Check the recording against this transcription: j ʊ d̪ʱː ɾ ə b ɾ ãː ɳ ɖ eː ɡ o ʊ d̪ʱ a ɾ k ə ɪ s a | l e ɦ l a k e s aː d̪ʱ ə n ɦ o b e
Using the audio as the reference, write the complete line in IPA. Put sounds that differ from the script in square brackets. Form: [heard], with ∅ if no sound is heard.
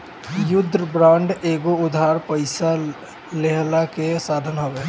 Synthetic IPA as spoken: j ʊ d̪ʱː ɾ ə b ɾ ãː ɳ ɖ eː ɡ o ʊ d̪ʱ a ɾ [p] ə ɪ s a | l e ɦ l a k e s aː d̪ʱ ə n ɦ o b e

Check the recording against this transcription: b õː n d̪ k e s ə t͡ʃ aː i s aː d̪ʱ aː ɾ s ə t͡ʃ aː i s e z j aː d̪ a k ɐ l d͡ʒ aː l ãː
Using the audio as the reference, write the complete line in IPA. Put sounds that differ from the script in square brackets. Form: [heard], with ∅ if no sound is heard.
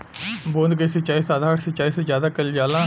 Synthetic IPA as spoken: b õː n d̪ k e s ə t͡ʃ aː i s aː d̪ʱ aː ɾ s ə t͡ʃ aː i s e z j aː d̪ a k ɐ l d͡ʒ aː l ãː

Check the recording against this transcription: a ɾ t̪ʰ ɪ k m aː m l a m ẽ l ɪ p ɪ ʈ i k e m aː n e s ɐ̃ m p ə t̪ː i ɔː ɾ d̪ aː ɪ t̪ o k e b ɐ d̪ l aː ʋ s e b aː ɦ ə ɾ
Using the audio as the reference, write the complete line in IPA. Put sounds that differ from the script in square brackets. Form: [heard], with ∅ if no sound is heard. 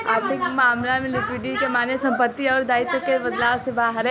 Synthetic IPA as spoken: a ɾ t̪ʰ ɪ k m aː m l a m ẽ l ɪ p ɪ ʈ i k e m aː n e s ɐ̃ m p ə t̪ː i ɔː ɾ d̪ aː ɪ t̪ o k e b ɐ d̪ l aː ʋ s e b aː ɦ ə ɾ

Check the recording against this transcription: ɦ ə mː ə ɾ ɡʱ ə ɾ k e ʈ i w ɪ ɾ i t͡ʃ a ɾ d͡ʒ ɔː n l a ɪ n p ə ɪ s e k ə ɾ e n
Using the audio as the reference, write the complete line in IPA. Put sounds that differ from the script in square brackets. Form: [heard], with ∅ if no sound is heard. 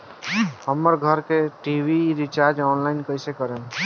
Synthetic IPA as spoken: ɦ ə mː ə ɾ ɡʱ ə ɾ k e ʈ i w [i] ɾ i t͡ʃ a ɾ d͡ʒ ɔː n l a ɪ n [k] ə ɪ s e k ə ɾ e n

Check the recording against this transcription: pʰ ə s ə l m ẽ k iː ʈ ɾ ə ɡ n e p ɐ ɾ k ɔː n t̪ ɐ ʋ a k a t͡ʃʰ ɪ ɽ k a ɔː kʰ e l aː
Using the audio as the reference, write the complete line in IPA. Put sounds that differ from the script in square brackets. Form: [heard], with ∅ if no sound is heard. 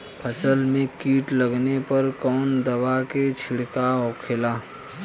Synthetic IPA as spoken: pʰ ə s ə l m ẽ k iː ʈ [l] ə ɡ n e p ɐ ɾ k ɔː n [d̪] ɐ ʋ a k [e] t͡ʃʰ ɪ ɽ k a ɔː kʰ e l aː

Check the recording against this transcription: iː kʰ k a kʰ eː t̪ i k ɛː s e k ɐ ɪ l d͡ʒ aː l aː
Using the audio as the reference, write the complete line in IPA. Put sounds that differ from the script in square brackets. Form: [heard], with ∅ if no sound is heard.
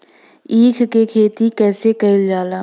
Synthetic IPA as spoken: iː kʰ k [e] kʰ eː t̪ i k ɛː s e k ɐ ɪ l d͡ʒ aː l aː

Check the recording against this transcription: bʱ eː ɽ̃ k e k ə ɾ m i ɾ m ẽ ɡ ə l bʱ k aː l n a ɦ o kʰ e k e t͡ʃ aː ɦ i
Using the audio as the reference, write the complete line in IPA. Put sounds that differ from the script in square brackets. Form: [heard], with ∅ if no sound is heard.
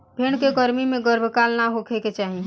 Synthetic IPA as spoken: bʱ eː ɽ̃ k e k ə ɾ m i [∅] m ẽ ɡ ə [ɾ] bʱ k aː l n a ɦ o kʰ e k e t͡ʃ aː ɦ i

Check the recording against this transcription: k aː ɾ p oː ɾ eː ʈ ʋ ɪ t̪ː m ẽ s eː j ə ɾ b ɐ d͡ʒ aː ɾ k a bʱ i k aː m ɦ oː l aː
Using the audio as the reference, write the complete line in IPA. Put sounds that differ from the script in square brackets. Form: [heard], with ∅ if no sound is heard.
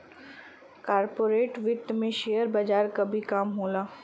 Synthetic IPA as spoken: k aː ɾ p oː ɾ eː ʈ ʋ ɪ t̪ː m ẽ [ʃ] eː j ə ɾ b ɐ d͡ʒ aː ɾ k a bʱ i k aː m ɦ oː l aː

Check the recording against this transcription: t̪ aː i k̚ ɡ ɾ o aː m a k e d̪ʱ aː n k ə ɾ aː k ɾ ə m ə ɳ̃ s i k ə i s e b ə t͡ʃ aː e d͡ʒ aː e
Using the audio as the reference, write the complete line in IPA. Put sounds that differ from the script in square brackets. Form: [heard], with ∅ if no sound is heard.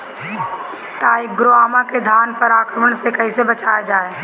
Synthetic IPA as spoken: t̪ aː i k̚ ɡ ɾ o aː m a k e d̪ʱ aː n [p] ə ɾ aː k ɾ ə m ə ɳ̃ s [e] k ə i s e b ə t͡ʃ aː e d͡ʒ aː e

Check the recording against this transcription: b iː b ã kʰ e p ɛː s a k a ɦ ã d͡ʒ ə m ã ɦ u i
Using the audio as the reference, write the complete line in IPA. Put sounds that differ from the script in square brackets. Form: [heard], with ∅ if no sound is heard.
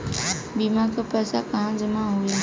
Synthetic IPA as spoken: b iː [m] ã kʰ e p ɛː s a k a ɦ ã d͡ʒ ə m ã ɦ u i

